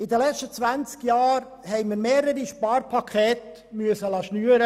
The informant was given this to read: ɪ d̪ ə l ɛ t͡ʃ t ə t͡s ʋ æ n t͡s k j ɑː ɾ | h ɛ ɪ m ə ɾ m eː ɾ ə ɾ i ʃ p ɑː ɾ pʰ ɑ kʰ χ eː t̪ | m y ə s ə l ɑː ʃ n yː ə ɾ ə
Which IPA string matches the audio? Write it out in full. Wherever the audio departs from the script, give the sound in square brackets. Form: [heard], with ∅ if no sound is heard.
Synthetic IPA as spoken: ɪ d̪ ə l ɛ t͡ʃ t ə t͡s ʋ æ n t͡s k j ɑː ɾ | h ɛ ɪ m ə ɾ m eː ɾ ə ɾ i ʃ p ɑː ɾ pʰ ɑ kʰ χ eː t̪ | m y ə s ə l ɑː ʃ n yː ə ɾ ə